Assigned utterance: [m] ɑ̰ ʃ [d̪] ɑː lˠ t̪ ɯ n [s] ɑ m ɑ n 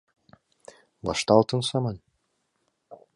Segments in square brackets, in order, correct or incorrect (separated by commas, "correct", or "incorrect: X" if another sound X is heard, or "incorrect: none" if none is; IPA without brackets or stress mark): incorrect: b, incorrect: t̪, correct